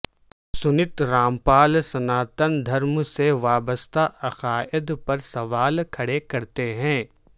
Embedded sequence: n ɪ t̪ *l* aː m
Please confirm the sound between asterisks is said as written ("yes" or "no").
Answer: no